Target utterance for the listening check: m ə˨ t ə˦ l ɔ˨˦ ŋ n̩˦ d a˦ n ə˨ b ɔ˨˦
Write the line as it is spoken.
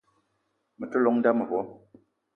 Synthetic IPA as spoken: m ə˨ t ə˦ l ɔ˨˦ ŋ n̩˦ d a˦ m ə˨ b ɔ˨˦